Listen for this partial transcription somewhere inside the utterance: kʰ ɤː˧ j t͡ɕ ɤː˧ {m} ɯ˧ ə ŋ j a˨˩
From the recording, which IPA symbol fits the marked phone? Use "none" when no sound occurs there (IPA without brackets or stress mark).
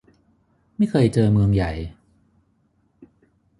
m